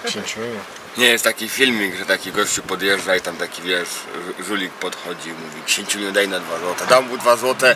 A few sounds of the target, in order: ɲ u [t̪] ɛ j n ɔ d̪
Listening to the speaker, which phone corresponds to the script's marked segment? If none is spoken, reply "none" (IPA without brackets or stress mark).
d̪